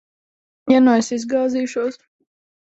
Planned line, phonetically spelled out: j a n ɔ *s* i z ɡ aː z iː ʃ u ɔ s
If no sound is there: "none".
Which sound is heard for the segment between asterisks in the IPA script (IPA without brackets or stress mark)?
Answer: s